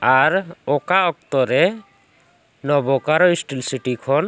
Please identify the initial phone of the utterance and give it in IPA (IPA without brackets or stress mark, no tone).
a